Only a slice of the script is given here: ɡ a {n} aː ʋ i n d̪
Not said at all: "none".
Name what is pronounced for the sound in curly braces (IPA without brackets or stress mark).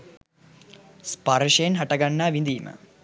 nː